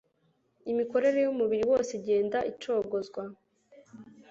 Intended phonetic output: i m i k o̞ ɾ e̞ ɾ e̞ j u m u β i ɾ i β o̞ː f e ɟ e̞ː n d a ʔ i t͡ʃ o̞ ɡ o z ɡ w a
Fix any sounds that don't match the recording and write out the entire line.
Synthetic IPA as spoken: i m i k o̞ ɾ e̞ ɾ e̞ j u m u β i ɾ i w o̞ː s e ɟ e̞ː n d a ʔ i t͡ʃ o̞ ɡ o z ɡ w a